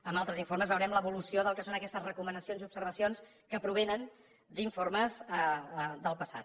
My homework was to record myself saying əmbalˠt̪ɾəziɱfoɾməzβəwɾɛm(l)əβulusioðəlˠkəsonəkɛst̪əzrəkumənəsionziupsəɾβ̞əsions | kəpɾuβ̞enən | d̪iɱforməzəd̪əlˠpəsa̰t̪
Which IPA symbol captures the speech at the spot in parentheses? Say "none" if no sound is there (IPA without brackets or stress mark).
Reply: l